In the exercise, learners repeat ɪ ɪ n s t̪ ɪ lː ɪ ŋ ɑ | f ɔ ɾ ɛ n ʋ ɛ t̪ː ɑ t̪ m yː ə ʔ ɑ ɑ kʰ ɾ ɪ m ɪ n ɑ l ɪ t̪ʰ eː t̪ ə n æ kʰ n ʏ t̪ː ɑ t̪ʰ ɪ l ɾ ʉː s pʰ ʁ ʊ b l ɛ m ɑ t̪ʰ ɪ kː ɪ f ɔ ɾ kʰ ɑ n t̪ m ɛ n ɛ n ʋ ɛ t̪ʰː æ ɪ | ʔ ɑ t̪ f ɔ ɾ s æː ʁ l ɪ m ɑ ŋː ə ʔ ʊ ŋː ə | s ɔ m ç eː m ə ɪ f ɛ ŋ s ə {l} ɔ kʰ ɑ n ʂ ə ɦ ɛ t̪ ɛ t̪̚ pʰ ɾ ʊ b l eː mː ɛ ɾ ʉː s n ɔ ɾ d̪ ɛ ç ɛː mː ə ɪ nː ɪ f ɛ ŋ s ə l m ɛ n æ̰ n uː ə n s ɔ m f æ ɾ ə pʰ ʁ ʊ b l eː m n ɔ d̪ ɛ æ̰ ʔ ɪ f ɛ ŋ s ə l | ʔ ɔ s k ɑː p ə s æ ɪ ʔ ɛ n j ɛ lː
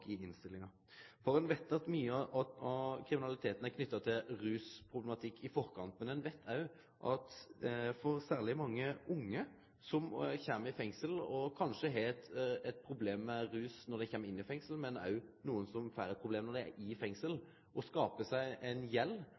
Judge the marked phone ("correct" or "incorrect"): correct